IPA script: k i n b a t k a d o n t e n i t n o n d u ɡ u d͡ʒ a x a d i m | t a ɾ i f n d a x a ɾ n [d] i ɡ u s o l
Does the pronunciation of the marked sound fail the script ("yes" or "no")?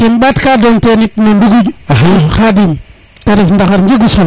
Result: yes